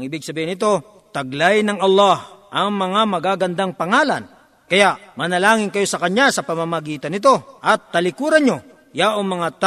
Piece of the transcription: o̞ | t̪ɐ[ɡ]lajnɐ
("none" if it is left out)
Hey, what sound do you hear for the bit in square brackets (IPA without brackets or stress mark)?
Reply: ɡ